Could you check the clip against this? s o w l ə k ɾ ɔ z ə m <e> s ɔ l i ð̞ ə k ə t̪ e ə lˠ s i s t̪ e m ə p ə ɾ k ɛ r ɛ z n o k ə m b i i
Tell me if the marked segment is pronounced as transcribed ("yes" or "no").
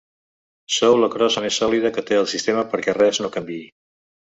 yes